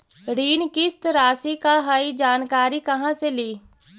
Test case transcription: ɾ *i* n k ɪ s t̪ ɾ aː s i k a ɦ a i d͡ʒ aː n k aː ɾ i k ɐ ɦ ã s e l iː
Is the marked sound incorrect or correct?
incorrect